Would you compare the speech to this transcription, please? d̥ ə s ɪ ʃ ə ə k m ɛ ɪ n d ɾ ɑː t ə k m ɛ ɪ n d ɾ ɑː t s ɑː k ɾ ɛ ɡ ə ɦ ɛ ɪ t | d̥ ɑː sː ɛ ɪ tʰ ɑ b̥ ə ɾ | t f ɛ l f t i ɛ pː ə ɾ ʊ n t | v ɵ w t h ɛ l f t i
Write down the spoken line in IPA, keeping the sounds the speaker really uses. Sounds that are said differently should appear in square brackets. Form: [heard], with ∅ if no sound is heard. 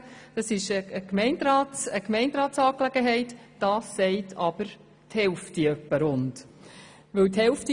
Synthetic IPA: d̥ [ɑ] s ɪ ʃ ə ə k m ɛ ɪ n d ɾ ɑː t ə k m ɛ ɪ n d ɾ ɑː t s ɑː k [l] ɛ ɡ ə ɦ ɛ ɪ t | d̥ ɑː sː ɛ ɪ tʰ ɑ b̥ ə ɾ | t [h] ɛ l f t i [œ] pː ə ɾ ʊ n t | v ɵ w t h ɛ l f t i